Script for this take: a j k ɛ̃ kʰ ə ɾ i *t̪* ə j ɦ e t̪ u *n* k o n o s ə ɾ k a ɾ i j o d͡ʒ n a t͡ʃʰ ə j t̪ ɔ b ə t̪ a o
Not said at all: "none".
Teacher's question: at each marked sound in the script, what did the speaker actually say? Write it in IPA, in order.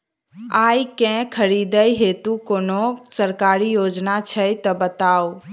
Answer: d̪, none

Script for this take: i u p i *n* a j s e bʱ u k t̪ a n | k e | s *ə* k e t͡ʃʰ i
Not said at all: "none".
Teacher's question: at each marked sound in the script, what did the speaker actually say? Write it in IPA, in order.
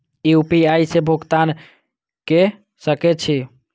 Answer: none, ə

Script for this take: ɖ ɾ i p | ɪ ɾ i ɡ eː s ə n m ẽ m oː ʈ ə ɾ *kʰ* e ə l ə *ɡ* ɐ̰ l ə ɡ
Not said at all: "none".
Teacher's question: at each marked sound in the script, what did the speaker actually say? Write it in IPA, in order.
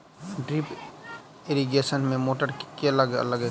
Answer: k, ɡ

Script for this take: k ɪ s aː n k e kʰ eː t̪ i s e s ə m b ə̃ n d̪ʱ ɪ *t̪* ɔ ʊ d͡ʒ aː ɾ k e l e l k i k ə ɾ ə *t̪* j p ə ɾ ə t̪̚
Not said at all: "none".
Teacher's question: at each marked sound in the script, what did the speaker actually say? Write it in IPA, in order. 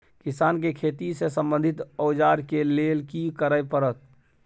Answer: t̪, none

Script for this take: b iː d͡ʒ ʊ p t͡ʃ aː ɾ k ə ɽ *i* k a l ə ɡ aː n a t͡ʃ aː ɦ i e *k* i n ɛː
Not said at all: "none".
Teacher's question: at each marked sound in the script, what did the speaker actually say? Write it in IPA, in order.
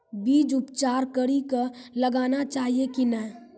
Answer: i, k

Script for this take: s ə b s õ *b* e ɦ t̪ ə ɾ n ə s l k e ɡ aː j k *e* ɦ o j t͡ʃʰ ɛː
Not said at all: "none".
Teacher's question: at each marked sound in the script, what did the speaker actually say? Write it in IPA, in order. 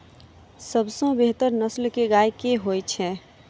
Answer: b, e

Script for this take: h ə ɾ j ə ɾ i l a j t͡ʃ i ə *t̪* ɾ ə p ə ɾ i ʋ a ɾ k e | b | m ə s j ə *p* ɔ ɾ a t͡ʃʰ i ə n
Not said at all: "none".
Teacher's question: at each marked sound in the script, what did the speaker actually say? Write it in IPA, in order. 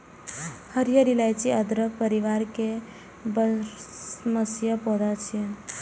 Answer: d̪, p

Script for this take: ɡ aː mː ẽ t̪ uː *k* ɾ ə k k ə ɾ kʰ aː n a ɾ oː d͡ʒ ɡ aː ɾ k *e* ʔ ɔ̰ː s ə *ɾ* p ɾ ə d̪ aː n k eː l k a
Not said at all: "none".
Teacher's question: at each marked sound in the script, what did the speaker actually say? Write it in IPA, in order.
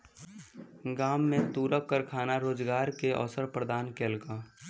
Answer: none, e, ɾ

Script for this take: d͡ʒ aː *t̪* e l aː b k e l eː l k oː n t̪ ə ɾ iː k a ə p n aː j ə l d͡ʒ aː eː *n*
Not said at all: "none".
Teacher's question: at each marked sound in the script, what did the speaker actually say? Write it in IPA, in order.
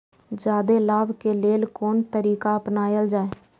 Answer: d̪, none

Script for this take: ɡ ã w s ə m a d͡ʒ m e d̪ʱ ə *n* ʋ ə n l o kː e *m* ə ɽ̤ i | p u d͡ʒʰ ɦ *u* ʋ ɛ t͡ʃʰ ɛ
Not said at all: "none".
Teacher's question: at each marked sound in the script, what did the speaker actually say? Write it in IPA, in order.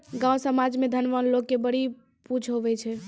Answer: n, b, o

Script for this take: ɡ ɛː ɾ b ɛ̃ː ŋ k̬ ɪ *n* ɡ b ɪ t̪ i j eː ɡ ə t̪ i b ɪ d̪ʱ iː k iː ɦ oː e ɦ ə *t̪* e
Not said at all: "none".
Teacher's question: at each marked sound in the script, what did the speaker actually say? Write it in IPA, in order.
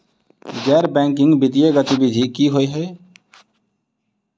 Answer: ŋ, none

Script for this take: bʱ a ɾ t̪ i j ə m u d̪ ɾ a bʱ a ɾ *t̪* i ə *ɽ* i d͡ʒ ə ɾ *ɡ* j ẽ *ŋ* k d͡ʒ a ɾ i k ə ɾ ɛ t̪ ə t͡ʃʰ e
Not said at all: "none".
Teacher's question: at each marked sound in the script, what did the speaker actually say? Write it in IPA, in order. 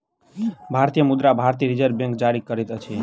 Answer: t̪, ɾ, b, ŋ

